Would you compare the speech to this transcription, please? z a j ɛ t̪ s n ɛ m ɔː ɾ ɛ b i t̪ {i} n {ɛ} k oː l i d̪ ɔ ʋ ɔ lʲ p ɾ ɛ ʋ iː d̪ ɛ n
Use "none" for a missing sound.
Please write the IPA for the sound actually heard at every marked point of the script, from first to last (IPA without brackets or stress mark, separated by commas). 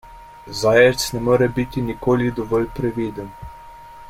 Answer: i, i